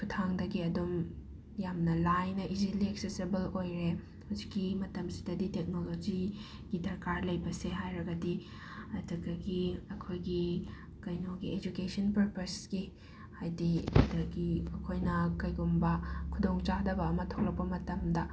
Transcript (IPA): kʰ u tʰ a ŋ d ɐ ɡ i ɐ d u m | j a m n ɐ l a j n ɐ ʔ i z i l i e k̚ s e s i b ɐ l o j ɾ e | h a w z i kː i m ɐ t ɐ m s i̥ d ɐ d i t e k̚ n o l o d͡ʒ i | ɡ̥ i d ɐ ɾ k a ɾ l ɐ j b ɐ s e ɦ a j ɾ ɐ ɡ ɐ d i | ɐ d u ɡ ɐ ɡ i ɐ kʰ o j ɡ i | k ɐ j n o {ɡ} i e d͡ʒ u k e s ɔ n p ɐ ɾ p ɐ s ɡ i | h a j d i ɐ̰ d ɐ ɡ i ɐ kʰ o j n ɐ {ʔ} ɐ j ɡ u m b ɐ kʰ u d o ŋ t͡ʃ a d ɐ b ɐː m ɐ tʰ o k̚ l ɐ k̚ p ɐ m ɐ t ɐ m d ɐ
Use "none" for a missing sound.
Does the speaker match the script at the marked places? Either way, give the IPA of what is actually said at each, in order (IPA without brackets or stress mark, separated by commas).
ɡ, k